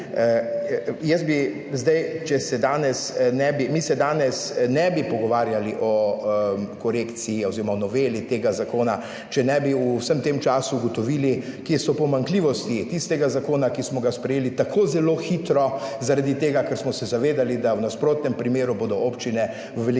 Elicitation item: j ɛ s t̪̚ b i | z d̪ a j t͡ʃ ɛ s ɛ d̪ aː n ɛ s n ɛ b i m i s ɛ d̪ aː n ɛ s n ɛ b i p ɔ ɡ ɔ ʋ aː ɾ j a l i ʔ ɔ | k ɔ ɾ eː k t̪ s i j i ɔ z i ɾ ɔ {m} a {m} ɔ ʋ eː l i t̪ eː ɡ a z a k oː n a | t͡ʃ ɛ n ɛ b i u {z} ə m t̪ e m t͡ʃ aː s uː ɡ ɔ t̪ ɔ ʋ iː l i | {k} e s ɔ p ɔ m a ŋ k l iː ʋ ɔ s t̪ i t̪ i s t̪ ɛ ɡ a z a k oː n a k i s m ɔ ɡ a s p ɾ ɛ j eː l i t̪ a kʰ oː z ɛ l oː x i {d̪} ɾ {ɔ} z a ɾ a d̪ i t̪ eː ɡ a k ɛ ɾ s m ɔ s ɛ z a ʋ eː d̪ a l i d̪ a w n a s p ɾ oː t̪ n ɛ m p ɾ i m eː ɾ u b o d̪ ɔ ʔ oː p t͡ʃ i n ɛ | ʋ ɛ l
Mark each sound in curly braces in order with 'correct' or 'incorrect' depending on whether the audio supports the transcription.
correct, incorrect: n, incorrect: s, correct, incorrect: t̪, correct

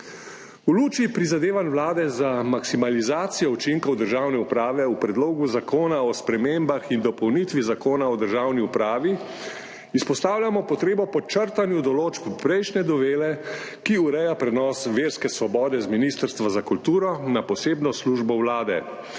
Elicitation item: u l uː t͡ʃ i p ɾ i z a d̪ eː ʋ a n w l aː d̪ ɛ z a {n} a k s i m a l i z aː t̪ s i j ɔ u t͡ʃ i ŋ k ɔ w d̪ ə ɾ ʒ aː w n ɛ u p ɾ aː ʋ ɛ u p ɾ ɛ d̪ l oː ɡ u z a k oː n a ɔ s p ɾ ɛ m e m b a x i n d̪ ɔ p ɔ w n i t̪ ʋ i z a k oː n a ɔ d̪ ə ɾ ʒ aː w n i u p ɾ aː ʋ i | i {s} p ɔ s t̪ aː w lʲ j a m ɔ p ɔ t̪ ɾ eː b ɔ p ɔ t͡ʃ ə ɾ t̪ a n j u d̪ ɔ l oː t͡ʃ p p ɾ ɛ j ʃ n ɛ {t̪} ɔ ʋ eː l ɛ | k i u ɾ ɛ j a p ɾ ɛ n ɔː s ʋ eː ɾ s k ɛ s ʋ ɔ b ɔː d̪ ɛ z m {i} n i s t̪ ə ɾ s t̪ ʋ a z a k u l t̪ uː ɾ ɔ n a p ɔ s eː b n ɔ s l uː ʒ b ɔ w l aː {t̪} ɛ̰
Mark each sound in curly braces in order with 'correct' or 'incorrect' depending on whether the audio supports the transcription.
incorrect: m, correct, incorrect: d̪, correct, incorrect: d̪

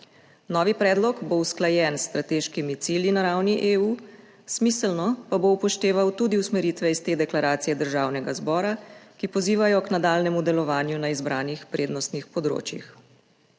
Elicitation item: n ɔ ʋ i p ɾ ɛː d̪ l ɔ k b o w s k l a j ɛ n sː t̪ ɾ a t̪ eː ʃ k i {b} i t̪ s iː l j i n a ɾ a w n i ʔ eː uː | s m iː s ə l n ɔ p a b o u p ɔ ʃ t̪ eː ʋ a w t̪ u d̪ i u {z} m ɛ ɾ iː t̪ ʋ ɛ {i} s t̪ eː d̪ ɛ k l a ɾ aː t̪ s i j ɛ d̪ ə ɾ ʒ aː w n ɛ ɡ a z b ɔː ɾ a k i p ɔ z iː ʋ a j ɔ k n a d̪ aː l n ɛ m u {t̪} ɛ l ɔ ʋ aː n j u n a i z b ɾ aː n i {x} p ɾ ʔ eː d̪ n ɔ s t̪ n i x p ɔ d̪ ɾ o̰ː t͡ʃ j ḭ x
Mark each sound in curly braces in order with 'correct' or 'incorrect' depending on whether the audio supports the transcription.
incorrect: m, incorrect: s, correct, incorrect: d̪, correct

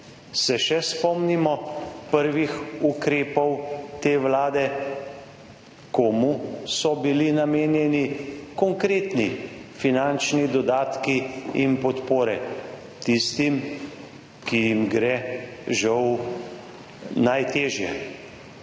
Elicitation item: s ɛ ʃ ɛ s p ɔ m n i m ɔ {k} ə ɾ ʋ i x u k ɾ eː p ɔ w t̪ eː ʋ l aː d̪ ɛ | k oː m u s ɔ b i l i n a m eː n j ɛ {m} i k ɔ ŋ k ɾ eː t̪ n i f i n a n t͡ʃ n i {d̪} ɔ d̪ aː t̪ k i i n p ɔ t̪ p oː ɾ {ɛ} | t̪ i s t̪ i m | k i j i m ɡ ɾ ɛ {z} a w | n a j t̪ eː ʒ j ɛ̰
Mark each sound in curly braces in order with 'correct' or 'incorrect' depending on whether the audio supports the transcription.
incorrect: p, incorrect: n, correct, correct, incorrect: ʒ

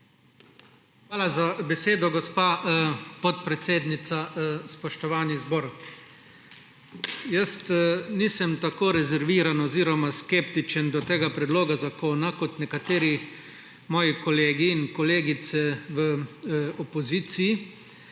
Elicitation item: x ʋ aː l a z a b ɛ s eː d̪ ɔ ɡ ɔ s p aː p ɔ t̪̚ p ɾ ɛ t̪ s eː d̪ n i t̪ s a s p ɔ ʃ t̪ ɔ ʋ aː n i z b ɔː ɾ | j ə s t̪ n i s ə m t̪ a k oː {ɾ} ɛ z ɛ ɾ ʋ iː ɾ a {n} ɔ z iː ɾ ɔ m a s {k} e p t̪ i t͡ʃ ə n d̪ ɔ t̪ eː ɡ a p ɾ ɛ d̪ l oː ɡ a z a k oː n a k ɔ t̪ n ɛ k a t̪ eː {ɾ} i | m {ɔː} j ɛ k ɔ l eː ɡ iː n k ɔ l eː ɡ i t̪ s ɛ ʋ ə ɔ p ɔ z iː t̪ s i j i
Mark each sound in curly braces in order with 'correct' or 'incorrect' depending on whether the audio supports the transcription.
correct, correct, correct, correct, correct

